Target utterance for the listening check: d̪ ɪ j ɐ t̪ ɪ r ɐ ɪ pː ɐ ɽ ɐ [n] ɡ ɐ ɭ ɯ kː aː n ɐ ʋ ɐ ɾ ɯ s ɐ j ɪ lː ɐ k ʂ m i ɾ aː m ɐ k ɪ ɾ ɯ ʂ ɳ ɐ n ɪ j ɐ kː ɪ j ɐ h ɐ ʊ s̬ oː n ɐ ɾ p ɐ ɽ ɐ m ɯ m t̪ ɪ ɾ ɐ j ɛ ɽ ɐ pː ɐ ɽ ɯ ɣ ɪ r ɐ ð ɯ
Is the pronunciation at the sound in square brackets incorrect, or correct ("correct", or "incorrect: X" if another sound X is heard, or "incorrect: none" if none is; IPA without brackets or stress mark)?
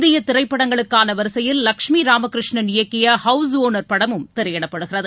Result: incorrect: ŋ